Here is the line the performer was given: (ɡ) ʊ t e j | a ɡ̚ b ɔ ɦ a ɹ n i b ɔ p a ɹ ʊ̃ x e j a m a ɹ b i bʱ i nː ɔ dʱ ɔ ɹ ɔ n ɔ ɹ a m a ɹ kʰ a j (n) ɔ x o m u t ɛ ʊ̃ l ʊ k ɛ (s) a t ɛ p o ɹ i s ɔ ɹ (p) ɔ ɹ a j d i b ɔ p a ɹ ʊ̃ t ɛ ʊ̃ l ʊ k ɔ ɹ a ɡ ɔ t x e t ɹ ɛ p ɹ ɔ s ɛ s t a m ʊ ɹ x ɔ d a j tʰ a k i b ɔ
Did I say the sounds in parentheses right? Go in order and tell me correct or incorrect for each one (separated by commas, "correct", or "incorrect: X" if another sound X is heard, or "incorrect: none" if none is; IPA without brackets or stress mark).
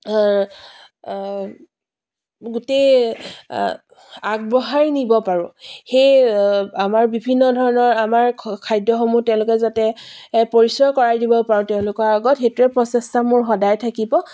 correct, incorrect: d, incorrect: z, incorrect: k